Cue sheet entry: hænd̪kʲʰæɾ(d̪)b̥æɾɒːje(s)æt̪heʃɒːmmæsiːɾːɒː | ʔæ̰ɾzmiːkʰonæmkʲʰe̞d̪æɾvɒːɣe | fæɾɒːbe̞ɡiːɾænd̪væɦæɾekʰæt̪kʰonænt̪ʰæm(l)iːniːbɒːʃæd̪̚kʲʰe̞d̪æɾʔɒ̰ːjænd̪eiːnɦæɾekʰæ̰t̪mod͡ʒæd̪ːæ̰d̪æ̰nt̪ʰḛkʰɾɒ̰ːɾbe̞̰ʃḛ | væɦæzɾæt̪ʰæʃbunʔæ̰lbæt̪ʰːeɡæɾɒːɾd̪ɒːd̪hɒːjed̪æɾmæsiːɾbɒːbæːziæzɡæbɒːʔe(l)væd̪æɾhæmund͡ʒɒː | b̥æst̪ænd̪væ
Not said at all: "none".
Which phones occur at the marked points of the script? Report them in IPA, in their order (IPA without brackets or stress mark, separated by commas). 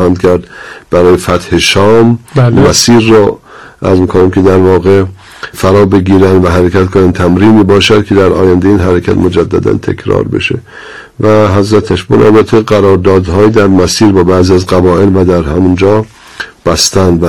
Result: d̪, f, ɾ, l